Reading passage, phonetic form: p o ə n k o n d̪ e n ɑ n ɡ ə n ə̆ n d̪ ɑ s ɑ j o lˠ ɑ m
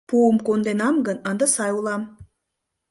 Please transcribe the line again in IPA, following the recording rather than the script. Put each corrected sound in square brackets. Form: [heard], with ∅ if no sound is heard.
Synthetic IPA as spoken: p [u] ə [m] k o n d̪ e n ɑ [m] ɡ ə n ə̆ n d̪ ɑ s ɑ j [u] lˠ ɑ m